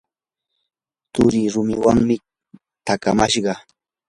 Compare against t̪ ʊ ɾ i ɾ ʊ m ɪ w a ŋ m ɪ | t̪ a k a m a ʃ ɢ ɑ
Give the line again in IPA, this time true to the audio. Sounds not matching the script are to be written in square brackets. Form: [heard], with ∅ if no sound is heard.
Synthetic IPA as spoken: t̪ ʊ ɾ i ɾ ʊ m ɪ w a ŋ m ɪ | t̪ a k a m a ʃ ɢ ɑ